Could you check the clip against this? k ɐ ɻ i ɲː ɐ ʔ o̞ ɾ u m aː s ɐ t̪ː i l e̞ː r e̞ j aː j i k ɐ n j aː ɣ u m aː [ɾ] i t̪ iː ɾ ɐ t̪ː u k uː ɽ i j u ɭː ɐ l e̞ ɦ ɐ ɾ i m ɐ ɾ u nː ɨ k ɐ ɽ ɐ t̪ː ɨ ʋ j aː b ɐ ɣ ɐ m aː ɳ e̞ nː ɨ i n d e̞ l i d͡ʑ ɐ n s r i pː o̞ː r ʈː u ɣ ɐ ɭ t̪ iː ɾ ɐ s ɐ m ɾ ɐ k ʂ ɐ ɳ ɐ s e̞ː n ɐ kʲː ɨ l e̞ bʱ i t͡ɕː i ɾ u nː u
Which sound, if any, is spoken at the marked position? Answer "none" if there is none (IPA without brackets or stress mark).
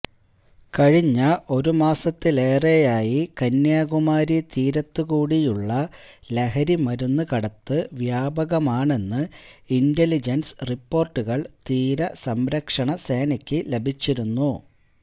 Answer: ɾ